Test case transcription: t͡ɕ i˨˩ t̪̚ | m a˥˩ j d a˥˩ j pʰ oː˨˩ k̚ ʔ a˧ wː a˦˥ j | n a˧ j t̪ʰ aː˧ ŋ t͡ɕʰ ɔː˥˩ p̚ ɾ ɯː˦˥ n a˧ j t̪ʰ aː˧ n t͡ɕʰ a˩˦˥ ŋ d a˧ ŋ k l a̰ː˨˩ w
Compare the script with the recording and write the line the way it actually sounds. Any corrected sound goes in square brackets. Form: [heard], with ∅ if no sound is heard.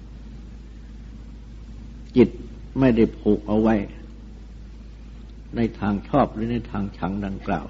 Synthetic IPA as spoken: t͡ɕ i˨˩ t̪̚ | m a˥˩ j d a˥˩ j pʰ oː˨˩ k̚ ʔ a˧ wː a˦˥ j | n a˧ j t̪ʰ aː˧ ŋ t͡ɕʰ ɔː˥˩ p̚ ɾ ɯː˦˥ n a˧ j t̪ʰ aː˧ [ŋ] t͡ɕʰ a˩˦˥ ŋ d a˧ ŋ k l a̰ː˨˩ w